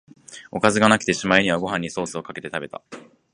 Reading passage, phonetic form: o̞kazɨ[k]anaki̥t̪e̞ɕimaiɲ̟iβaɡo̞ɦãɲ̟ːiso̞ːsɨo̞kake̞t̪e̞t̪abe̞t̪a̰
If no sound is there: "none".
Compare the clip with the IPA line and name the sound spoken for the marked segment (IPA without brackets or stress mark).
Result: ɡ